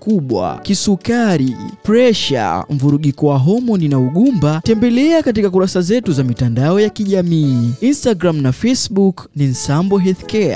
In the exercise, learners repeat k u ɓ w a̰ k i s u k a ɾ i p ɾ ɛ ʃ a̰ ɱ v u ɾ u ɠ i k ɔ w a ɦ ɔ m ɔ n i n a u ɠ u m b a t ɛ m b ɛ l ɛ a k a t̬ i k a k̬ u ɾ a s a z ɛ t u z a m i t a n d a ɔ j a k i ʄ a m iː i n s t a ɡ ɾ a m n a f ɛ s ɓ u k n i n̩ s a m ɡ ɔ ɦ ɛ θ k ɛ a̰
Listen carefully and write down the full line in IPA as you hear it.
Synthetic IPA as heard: k u ɓ w a̰ k i s u k a ɾ i p ɾ ɛ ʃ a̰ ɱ v u ɾ u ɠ i k ɔ w a ɦ ɔ m ɔ n i n a u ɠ u m b a t ɛ m b ɛ l ɛ a k a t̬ i k a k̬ u ɾ a s a z ɛ t u z a m i t a n d a ɔ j a k i ʄ a m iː i n s t a ɡ ɾ a m n a f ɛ s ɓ u k n i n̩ s a m b ɔ ɦ ɛ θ k ɛ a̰